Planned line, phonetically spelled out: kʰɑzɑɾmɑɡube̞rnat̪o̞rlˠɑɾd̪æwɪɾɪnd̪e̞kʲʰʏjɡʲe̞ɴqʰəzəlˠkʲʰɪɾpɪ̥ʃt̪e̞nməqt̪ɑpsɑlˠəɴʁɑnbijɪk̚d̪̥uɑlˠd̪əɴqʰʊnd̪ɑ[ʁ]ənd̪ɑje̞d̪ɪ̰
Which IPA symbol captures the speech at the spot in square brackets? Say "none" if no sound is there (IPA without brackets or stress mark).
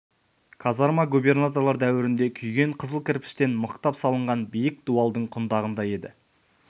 ʁ